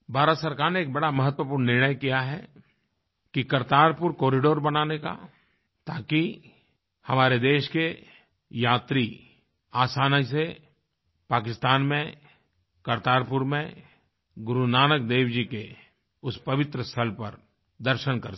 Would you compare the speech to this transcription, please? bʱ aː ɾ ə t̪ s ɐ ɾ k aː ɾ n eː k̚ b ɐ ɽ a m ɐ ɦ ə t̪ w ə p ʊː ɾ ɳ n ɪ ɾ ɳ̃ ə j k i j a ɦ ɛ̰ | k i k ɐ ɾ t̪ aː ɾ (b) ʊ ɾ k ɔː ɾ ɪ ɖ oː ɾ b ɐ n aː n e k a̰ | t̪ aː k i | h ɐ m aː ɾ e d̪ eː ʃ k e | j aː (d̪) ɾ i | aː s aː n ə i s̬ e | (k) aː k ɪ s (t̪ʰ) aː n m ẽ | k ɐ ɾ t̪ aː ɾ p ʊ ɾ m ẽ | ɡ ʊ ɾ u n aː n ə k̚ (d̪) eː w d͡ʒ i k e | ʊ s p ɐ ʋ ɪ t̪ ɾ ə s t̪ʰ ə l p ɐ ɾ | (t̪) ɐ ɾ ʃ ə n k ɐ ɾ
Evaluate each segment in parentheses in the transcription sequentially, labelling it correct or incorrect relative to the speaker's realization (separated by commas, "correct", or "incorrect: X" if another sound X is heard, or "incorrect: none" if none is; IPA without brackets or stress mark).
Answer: incorrect: p, incorrect: t̪, incorrect: p, incorrect: t̪, correct, incorrect: d̪